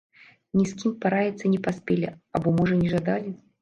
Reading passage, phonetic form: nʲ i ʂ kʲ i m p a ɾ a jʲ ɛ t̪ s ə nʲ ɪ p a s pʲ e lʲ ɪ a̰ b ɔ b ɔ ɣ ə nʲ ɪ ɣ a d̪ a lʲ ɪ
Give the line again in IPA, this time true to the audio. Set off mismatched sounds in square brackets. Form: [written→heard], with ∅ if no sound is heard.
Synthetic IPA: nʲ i [ʂ→s] kʲ i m p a ɾ a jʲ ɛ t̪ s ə nʲ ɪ p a s pʲ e lʲ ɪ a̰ b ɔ [b→m] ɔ [ɣ→ʐ] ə nʲ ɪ [ɣ→ʐ] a d̪ a lʲ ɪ